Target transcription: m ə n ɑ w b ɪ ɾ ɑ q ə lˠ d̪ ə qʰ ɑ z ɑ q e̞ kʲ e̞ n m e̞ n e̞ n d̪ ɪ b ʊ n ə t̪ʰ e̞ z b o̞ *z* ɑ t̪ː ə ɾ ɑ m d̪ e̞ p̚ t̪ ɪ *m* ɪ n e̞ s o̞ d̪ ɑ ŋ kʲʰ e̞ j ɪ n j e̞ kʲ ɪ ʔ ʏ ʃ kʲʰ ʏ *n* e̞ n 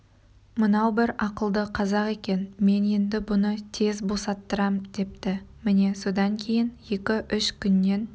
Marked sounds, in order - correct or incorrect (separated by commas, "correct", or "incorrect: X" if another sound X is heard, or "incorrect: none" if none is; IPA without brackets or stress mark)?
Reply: incorrect: s, correct, incorrect: nː